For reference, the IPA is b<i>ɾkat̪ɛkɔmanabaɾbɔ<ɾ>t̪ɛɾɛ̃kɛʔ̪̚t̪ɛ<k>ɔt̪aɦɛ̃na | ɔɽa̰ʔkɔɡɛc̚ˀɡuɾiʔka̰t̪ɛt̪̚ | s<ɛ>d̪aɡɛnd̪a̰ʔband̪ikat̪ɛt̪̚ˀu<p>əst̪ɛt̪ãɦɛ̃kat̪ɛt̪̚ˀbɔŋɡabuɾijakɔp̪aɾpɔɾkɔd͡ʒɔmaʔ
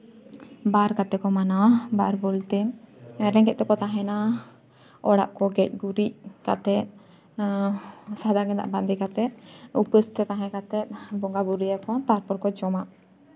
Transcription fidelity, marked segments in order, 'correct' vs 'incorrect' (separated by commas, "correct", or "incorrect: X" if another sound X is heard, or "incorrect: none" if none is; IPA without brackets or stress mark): incorrect: a, incorrect: l, correct, incorrect: a, correct